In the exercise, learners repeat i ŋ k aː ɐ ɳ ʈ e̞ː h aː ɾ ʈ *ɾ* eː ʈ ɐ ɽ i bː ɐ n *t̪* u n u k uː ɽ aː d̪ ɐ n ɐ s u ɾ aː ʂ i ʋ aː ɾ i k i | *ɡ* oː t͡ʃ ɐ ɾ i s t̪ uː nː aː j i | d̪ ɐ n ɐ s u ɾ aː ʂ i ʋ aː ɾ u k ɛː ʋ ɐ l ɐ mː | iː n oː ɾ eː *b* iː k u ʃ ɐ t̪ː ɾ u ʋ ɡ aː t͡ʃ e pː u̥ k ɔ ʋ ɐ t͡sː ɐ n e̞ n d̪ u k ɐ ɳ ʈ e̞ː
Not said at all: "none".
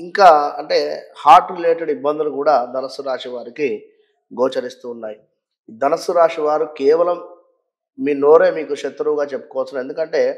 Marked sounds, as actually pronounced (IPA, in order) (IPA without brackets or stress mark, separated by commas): l, d̪, ɡ, m